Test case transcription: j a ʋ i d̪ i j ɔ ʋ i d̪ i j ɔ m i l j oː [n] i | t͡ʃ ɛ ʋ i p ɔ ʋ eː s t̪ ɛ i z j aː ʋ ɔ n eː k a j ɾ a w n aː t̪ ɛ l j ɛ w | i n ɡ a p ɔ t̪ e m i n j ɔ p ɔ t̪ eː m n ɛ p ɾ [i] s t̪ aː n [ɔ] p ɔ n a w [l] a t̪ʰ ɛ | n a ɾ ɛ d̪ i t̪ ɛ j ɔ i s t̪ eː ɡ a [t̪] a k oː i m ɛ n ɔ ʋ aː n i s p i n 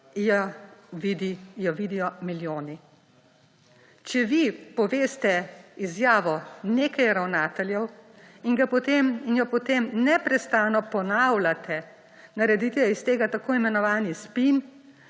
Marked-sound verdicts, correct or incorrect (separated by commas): correct, incorrect, correct, correct, correct